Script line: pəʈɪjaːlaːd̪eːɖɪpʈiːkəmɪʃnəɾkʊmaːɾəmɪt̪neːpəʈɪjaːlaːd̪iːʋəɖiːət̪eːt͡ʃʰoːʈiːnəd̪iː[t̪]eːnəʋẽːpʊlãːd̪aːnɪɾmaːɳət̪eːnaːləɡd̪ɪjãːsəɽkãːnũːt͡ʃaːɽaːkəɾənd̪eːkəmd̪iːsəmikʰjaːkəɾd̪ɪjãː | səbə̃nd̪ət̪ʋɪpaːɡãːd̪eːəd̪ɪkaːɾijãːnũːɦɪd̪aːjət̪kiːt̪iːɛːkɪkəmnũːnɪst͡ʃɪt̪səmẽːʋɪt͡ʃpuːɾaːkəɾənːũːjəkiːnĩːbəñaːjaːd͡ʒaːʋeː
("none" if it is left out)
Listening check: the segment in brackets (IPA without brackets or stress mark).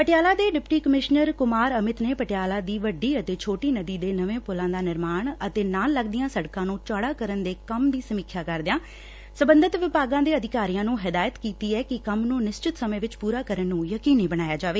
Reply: d̪